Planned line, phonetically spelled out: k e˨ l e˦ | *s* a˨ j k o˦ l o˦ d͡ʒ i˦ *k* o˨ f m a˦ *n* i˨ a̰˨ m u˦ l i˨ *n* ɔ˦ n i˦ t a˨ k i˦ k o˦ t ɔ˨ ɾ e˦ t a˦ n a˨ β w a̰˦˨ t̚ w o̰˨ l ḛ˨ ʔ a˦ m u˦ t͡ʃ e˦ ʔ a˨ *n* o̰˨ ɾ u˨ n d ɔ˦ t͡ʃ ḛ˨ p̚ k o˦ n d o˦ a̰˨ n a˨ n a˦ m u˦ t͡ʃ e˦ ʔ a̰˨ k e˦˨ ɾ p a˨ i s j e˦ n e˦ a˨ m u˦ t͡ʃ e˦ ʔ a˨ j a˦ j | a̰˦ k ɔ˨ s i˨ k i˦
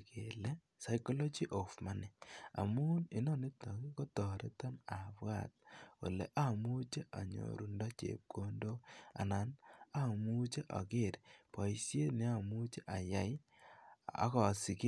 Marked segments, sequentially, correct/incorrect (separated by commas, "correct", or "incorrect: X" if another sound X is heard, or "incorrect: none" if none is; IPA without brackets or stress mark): correct, incorrect: ʔ, correct, correct, incorrect: ɲ